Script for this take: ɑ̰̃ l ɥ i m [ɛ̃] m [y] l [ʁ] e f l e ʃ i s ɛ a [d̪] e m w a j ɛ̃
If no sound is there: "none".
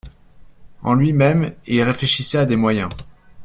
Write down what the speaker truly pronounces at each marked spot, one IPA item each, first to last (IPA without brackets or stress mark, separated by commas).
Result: ɛ, i, ʁ, d̪